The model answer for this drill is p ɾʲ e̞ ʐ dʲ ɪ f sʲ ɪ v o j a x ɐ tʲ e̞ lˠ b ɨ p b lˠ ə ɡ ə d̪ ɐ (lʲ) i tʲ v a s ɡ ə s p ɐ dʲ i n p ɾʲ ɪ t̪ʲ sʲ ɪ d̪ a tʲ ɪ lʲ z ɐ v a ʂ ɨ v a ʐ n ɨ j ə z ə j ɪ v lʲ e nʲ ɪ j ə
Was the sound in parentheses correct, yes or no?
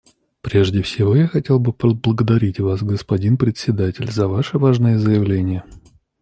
no